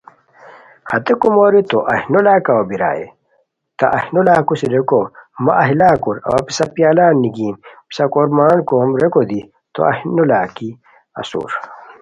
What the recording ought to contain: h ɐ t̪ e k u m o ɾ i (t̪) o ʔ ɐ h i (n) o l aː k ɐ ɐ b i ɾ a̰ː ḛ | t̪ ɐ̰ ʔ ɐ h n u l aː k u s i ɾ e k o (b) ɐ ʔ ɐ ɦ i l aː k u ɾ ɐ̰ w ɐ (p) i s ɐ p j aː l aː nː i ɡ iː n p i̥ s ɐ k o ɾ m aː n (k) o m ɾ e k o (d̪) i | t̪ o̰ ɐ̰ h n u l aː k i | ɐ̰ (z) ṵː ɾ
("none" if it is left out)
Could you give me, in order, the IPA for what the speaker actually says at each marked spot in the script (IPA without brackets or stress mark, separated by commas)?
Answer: t̪, n, m, p, k, d̪, s